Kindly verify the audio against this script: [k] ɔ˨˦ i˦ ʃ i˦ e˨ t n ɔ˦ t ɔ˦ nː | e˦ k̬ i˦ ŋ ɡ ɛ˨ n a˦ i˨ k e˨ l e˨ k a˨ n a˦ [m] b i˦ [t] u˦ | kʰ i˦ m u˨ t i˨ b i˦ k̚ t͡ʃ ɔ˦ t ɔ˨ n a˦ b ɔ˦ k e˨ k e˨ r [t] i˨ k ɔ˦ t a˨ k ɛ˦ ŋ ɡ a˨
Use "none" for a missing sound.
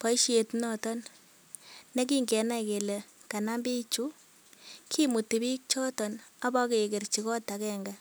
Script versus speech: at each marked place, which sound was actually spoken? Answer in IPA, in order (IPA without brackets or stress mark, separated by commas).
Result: p, m, t͡ʃ, t͡ʃ